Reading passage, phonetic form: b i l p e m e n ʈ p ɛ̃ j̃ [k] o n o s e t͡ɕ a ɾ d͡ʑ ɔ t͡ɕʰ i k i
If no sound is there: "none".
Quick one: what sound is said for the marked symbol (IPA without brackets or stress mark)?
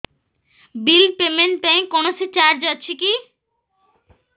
k